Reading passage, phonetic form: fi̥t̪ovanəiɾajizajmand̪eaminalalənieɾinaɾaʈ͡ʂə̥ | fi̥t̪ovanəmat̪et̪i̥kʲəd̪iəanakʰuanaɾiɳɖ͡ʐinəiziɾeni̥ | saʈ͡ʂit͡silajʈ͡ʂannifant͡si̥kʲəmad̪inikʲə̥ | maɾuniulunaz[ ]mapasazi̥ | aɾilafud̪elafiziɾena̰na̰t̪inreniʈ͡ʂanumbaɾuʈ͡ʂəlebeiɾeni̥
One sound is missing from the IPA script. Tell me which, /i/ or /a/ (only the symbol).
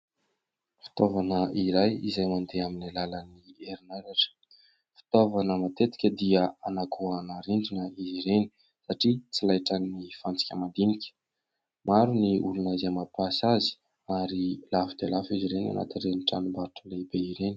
a